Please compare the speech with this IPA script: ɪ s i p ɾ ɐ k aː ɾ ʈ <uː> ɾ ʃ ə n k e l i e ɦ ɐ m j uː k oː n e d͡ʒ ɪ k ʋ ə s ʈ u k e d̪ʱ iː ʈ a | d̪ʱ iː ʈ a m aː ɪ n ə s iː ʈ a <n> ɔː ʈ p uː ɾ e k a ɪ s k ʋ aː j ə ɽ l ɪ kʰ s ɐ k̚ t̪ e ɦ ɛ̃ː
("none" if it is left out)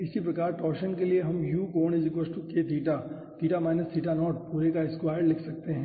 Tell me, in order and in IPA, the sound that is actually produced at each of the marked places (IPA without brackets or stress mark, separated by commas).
ɔː, n